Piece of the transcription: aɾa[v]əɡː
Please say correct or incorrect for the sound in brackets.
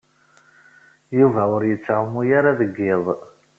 incorrect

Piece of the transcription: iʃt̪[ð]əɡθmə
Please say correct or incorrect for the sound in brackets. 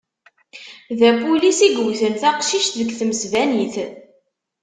correct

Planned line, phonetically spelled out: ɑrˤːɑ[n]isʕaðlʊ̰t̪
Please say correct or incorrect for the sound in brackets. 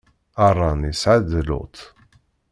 correct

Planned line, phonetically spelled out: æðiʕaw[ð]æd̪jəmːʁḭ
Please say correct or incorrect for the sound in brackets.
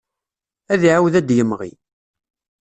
correct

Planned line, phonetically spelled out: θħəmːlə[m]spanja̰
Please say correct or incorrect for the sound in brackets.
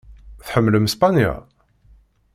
correct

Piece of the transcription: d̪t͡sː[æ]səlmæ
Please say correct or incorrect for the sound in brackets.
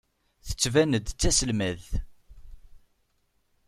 correct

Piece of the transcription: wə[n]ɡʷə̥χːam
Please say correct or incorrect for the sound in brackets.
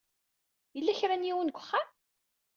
correct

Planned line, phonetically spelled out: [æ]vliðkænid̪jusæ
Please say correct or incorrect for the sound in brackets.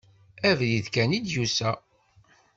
correct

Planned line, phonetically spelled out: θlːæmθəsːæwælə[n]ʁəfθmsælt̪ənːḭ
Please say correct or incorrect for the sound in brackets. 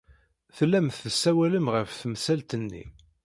incorrect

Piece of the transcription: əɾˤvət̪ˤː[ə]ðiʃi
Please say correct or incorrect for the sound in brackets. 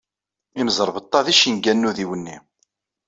incorrect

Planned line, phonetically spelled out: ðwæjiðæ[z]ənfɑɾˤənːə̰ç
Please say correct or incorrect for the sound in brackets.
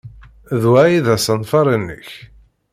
incorrect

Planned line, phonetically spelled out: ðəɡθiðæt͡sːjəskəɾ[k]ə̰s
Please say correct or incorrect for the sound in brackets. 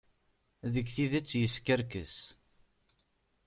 correct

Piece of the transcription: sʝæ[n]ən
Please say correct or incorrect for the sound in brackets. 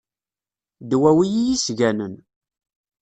correct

